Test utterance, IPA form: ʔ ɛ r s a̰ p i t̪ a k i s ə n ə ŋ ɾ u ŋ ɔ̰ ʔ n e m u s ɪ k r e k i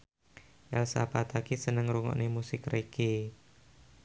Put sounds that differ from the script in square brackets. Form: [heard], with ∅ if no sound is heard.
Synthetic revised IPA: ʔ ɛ [l] s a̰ p [a] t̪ a k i s ə n ə ŋ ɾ u ŋ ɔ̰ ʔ n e m u s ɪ k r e k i